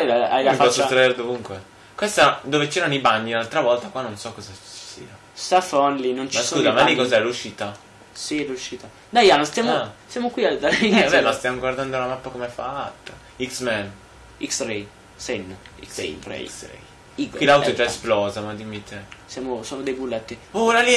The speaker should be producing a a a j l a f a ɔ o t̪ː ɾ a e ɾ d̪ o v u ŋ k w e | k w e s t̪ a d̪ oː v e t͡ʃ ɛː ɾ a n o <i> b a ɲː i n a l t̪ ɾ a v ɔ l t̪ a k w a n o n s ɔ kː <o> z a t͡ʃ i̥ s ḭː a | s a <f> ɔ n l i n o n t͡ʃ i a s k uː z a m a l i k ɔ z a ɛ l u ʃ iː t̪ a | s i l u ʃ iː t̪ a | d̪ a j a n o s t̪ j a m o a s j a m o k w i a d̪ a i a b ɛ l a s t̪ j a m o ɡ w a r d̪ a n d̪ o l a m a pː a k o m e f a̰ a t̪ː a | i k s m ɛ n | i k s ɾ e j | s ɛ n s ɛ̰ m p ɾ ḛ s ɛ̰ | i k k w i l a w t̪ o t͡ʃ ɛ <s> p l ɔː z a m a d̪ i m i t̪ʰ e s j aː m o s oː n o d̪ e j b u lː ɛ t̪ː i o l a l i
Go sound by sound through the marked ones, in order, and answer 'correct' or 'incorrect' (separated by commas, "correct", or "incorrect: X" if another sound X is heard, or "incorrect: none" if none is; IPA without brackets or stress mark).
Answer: correct, incorrect: ɔ, correct, correct